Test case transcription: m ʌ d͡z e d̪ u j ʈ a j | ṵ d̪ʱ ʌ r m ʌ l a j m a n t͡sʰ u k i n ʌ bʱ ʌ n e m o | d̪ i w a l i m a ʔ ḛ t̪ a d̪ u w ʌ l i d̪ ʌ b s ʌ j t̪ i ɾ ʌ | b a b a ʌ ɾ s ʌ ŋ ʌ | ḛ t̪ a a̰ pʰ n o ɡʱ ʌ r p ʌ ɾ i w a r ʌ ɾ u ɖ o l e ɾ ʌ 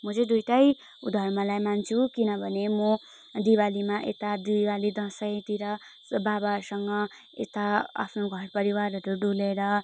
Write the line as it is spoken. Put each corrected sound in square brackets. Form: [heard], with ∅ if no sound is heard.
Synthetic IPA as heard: m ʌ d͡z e d̪ u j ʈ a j | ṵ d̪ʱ ʌ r m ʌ l a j m a n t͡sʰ u k i n ʌ bʱ ʌ n e m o | d̪ i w a l i m a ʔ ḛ t̪ a d̪ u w [a] l i d̪ ʌ [∅] s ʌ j t̪ i ɾ ʌ | b a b a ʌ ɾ s ʌ ŋ ʌ | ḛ t̪ a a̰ pʰ n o ɡʱ ʌ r p ʌ ɾ i w a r ʌ ɾ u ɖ [u] l e ɾ ʌ